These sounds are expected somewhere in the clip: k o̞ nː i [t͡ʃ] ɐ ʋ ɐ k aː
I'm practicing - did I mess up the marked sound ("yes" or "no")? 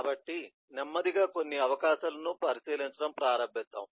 yes